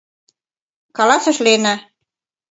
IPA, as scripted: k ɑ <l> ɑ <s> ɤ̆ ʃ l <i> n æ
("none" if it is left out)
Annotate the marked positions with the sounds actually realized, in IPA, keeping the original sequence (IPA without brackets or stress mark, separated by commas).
l, s, e